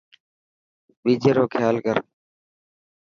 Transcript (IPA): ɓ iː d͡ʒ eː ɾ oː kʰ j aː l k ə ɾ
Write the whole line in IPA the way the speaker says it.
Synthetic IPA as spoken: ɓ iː d͡ʒ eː ɾ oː kʰ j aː l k ə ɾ